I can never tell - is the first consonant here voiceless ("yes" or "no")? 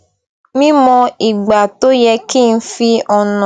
no